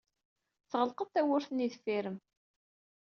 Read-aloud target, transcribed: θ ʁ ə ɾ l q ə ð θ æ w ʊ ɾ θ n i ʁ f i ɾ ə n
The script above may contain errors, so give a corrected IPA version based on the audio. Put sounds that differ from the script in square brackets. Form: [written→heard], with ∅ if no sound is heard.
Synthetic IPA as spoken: θ ʁ ə [ɾ→∅] l q ə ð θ æ w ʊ ɾ θ n i [ʁ→ð] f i ɾ ə [n→m]